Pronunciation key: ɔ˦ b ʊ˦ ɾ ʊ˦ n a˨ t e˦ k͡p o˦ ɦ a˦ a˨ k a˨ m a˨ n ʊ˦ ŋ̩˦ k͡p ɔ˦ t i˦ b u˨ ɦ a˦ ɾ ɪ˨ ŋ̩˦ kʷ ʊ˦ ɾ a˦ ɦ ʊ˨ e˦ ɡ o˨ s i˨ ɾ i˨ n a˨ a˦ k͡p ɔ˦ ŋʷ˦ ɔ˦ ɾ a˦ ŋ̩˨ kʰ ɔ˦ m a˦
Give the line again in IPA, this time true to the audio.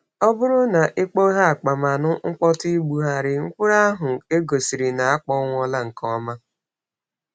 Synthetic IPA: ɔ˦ b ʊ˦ ɾ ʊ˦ n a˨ ʔ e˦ k͡p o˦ ɦ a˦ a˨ k͡p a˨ m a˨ n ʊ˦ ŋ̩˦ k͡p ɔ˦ t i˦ ɡ͡b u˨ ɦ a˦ ɾ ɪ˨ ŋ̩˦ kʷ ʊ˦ ɾ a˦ ɦ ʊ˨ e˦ ɡ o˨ s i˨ ɾ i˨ n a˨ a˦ k͡p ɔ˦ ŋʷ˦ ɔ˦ l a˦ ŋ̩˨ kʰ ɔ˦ m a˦